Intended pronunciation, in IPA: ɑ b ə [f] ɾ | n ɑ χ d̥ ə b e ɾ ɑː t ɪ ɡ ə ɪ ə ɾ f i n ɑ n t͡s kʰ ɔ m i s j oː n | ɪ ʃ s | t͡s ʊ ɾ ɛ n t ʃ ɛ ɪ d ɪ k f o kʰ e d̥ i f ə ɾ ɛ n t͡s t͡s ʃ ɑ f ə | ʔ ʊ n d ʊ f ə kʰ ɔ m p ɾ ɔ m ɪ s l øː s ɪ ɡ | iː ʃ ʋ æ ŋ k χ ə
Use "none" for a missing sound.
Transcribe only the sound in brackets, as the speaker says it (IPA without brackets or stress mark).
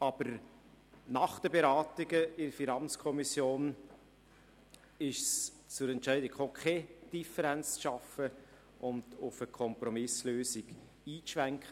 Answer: none